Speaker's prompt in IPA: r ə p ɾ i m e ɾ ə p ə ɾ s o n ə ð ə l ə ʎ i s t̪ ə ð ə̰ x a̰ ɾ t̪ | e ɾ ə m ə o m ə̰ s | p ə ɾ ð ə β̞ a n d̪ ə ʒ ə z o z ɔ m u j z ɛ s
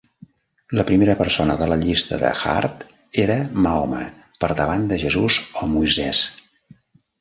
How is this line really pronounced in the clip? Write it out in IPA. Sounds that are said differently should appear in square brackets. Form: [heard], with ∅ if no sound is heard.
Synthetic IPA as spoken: [l] ə p ɾ i m e ɾ ə p ə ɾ s o n ə ð ə l ə ʎ i s t̪ ə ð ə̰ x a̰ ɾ t̪ | e ɾ ə m [a] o m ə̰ [∅] | p ə ɾ ð ə β̞ a n d̪ ə ʒ ə z [u] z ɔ m u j z ɛ s

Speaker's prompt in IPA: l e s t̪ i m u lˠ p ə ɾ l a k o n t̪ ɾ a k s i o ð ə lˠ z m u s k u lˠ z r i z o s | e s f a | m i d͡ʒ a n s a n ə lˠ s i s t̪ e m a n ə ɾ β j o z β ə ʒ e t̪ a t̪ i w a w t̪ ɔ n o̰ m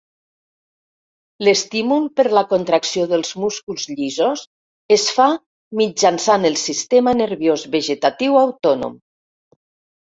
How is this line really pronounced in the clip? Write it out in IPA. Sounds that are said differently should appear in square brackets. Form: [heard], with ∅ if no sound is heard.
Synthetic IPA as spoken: l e s t̪ i m u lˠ p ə ɾ l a k o n t̪ ɾ a k s i o ð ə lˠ z m u s k u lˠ z [ʎ] i z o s | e s f a | m i d͡ʒ a n s a n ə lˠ s i s t̪ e m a n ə ɾ β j o z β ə ʒ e t̪ a t̪ i w a w t̪ ɔ n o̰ m

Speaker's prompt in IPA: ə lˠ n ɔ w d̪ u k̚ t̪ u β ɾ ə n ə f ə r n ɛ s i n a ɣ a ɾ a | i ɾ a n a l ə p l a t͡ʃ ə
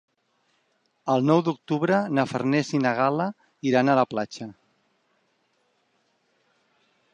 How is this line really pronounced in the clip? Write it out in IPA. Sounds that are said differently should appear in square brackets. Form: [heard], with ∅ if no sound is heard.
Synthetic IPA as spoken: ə lˠ n ɔ w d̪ u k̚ t̪ u β ɾ ə n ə f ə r n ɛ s i n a ɣ a [l] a | i ɾ a n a l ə p l a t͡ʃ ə

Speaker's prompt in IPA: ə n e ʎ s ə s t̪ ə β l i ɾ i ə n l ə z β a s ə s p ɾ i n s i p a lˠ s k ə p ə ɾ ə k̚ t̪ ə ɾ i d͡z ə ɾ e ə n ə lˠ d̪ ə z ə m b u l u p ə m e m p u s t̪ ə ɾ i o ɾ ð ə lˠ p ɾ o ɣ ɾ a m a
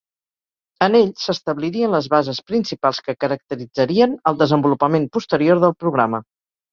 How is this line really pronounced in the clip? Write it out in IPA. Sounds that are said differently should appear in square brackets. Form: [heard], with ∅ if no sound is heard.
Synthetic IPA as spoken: ə n e ʎ s ə s t̪ ə β l i ɾ i ə n l ə z β a [z] ə s p ɾ i n s i p a lˠ s k ə [k] ə ɾ ə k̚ t̪ ə ɾ i d͡z ə ɾ [i] ə n ə lˠ d̪ ə z ə m b u l u p ə m e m p u s t̪ ə ɾ i o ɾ ð ə lˠ p ɾ [u] ɣ ɾ a m [ə]

